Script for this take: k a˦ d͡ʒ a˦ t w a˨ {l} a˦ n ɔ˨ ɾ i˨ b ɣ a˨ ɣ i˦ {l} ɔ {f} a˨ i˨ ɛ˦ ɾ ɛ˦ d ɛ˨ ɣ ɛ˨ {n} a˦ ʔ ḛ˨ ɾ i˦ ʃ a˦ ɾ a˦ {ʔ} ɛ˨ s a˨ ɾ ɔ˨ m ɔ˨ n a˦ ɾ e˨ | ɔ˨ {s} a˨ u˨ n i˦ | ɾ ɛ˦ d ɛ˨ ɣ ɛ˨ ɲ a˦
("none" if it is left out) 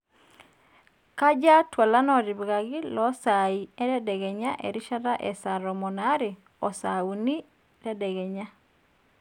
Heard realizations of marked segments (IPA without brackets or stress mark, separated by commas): l, l, s, ɲ, ʔ, s